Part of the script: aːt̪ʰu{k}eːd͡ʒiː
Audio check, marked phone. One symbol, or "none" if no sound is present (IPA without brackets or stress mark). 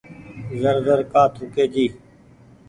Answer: k